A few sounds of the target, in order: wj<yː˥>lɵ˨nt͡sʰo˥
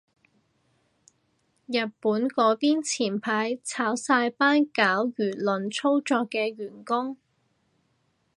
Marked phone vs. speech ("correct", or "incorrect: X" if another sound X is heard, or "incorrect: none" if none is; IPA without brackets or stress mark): incorrect: yː˨˩